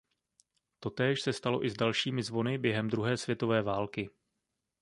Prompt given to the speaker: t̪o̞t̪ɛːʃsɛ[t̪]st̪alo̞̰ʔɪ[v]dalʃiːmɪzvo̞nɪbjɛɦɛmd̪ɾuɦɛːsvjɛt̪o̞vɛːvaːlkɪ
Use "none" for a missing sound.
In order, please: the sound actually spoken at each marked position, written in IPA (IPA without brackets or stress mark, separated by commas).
none, z